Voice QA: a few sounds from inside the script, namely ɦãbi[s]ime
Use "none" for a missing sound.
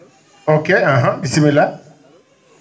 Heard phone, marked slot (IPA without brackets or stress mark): s